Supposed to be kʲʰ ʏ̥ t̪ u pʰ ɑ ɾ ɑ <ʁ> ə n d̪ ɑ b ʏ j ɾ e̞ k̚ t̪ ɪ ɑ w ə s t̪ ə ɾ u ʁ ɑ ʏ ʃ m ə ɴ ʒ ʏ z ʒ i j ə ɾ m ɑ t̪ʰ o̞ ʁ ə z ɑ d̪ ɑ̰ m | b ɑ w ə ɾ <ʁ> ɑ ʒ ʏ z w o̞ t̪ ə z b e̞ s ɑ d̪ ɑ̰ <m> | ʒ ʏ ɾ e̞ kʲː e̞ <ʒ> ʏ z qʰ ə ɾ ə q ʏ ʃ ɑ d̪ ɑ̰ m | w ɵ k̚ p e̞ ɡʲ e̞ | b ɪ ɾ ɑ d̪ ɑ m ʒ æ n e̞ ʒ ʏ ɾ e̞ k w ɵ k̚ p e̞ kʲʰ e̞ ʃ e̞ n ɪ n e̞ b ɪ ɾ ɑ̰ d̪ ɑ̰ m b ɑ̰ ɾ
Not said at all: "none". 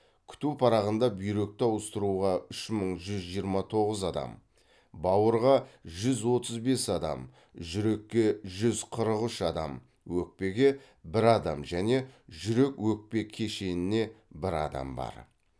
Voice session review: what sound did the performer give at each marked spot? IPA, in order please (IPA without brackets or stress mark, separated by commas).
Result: ʁ, ʁ, m, ʒ